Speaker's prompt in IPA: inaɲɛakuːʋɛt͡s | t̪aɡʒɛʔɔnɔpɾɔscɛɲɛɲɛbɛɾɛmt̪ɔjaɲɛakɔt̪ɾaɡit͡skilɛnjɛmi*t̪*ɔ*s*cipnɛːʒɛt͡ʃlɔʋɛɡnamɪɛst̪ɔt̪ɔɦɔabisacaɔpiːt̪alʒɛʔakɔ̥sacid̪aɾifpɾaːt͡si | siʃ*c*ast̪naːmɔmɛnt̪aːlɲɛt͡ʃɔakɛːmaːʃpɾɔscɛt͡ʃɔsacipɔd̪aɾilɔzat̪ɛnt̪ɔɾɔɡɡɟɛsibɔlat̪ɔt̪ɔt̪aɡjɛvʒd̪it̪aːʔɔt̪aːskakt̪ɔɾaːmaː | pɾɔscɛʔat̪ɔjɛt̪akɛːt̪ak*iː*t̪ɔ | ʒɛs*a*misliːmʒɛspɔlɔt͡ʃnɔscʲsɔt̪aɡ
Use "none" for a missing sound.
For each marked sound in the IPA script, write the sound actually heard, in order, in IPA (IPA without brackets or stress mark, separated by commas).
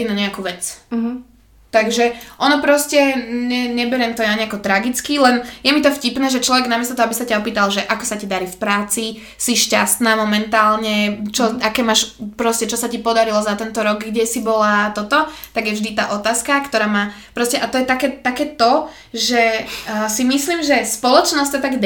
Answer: t̪, f, c, ɛː, i